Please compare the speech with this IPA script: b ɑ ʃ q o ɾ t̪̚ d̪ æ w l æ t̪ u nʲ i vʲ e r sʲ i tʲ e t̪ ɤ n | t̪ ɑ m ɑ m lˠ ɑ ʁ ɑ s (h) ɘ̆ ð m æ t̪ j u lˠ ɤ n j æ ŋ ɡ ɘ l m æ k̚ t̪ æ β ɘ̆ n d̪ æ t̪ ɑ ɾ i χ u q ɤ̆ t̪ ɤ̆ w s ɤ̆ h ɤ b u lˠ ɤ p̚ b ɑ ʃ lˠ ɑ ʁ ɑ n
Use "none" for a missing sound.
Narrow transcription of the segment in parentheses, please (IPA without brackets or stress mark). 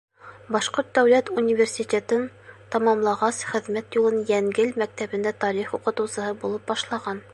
χ